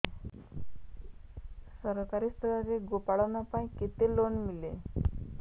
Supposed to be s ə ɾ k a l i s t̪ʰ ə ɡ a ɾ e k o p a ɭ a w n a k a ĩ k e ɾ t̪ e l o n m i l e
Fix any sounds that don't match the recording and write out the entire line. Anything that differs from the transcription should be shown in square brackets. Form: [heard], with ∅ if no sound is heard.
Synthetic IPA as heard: s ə ɾ k a [ɾ] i s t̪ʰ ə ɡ a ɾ e [ɡ] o p a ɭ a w n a [p] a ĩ k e [∅] t̪ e l o n m i l e